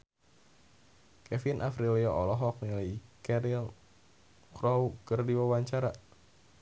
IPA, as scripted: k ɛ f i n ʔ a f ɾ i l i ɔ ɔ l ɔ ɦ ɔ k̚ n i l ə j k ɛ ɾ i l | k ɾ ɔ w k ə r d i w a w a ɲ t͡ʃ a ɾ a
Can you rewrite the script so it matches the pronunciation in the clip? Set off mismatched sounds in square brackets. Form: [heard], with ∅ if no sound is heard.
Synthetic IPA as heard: k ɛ f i n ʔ a f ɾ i l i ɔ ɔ l ɔ ɦ ɔ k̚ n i l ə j k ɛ ɾ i l | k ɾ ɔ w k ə r d i w a w a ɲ t͡ʃ a ɾ a